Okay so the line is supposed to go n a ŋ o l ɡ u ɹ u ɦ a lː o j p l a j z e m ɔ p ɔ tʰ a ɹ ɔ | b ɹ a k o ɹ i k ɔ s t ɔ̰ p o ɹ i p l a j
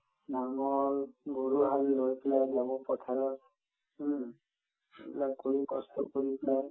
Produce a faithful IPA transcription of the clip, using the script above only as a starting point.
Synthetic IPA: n a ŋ ɔ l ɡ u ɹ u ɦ a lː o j p l a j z a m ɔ p ɔ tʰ a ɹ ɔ | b l a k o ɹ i k ɔ s t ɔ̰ k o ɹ i p l a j